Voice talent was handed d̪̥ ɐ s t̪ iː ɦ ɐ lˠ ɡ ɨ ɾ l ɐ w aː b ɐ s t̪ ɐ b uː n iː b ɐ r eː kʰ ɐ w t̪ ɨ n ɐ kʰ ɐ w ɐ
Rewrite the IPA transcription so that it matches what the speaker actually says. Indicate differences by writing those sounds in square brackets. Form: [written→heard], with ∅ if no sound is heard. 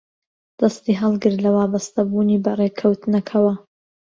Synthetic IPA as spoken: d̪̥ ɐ s t̪ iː ɦ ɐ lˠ ɡ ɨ ɾ l ɐ w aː b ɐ s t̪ ɐ b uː n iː b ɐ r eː kʰ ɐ w t̪ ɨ n ɐ kʰ ɐ w ɐ